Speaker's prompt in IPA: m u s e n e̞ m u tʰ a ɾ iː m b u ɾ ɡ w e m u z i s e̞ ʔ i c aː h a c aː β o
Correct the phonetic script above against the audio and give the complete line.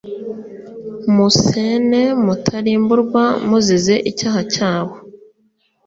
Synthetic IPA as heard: m u s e n e̞ m u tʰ a ɾ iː m b u ɾ ɡ w a m u z i z e̞ ʔ i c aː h a c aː β o